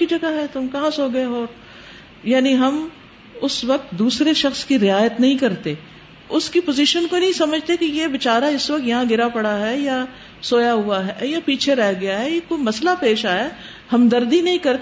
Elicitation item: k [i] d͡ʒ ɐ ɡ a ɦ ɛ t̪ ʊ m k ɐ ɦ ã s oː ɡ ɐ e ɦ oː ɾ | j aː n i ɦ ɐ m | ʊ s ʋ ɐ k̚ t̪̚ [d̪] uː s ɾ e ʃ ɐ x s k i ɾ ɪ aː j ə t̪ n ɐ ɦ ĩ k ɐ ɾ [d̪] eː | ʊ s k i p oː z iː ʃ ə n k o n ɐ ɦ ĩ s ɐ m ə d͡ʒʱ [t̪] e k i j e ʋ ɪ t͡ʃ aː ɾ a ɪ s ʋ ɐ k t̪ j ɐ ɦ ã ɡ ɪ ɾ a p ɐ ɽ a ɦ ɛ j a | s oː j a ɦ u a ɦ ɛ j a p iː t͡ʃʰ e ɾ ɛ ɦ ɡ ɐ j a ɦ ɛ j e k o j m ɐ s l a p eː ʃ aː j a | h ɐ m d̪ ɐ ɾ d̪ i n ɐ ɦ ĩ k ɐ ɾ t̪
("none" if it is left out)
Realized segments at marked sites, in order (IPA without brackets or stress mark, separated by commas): i, d̪, t̪, t̪